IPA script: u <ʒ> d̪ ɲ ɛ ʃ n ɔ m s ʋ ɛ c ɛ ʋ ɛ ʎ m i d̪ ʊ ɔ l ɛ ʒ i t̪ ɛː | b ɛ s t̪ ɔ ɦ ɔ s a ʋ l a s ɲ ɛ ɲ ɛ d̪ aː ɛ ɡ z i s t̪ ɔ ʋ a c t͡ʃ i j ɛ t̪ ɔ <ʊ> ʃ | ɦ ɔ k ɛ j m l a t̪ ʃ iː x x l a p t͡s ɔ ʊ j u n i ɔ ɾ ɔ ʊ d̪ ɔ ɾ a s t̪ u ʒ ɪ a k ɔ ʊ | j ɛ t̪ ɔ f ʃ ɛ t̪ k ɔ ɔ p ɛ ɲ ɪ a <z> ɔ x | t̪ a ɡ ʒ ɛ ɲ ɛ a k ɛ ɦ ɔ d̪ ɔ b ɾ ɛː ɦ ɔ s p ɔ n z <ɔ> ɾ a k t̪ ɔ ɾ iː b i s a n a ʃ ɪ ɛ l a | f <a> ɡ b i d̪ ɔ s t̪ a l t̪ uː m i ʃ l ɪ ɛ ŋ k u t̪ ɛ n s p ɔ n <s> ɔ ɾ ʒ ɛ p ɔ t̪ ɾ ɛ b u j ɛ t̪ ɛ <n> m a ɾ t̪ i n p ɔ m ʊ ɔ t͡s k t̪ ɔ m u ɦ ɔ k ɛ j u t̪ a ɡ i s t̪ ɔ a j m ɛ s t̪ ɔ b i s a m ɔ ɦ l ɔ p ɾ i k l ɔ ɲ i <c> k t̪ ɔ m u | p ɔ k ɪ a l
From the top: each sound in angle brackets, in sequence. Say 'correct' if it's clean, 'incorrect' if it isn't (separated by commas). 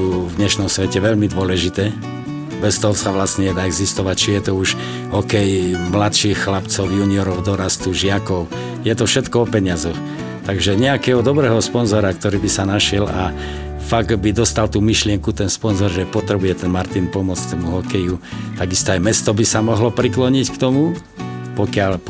incorrect, incorrect, correct, correct, correct, incorrect, correct, correct